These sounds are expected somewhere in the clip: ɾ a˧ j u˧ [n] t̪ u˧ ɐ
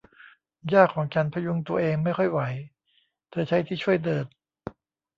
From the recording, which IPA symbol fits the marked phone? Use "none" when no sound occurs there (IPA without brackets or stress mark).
ŋ